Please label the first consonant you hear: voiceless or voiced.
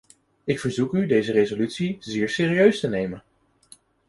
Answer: voiceless